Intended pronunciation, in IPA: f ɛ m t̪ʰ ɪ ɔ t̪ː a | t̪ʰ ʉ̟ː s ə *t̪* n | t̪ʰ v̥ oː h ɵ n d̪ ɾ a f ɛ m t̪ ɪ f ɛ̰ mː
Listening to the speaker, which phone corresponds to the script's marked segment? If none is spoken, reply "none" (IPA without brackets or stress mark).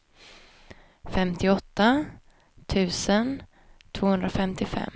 none